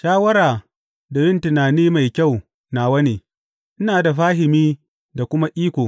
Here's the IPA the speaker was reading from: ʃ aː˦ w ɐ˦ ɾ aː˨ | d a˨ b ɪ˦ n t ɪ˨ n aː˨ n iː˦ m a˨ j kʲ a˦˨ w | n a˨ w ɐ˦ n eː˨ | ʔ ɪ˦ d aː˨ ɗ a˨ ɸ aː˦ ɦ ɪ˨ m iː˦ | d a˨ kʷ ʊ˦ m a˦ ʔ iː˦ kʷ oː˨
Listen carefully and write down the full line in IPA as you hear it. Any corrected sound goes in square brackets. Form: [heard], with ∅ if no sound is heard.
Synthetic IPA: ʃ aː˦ w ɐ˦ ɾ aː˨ | d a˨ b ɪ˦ n t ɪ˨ n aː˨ n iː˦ m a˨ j kʲ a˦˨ w | n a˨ w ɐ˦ n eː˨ | ʔ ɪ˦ [n] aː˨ [d] a˨ ɸ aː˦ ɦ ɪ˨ m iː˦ | d a˨ kʷ ʊ˦ m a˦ ʔ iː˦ kʷ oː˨